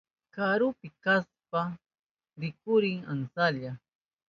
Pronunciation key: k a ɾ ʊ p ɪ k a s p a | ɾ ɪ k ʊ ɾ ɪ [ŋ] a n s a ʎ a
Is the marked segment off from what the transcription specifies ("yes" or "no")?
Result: no